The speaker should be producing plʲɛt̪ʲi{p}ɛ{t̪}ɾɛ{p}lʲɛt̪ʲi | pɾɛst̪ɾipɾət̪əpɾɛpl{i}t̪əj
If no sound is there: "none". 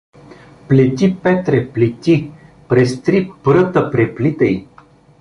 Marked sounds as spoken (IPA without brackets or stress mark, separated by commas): p, t̪, p, i